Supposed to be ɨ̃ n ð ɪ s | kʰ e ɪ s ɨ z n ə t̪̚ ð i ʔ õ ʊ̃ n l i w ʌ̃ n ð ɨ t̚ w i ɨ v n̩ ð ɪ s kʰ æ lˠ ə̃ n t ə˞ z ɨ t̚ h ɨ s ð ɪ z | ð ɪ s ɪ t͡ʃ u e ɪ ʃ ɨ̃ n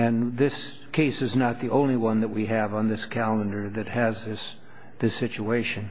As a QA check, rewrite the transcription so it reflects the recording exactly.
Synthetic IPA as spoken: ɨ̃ n ð ɪ s | kʰ e ɪ s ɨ z n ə t̪̚ ð i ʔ õ ʊ̃ n l i w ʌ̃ n ð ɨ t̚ w i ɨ v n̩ ð ɪ s kʰ æ lˠ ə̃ n d ə˞ ð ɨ t̚ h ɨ z ð ɪ s | ð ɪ s ɪ t͡ʃ u e ɪ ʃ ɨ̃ n